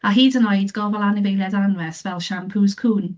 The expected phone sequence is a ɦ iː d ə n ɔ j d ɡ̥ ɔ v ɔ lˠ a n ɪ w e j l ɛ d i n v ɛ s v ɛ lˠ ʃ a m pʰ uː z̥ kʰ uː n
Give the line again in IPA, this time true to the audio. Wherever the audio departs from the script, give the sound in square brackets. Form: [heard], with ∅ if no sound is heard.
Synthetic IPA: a ɦ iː d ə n ɔ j d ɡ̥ ɔ v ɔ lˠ a n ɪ [v] e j l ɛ d [a] n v ɛ s v ɛ lˠ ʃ a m pʰ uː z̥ kʰ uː n